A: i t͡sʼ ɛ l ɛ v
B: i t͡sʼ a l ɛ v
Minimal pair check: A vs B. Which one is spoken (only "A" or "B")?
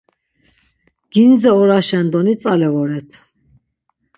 B